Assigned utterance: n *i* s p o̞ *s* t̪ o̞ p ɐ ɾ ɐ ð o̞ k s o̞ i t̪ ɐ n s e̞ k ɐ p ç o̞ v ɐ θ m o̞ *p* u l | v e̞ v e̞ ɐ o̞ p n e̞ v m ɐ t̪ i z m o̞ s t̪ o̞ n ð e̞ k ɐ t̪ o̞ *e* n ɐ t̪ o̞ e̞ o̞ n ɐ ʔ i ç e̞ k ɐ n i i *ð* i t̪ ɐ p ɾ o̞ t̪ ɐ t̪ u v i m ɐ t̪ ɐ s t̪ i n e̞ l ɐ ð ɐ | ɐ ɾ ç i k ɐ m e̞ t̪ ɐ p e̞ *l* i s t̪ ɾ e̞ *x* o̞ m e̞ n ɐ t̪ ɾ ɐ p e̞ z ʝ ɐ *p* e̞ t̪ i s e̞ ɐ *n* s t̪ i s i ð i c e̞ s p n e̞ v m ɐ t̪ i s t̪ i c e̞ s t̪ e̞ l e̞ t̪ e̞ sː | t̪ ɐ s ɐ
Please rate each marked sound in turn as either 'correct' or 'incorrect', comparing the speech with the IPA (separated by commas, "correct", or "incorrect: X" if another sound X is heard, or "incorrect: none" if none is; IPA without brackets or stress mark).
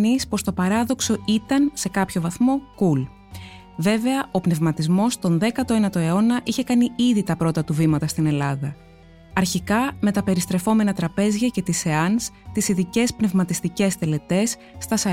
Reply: correct, correct, incorrect: k, correct, correct, incorrect: ɾ, incorrect: f, incorrect: c, correct